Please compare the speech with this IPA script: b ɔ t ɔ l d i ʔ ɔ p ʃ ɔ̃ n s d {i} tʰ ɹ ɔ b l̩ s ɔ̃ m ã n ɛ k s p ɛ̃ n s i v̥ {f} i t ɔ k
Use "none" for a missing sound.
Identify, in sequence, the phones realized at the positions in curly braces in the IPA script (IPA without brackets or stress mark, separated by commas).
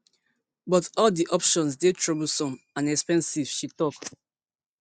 e, ʃ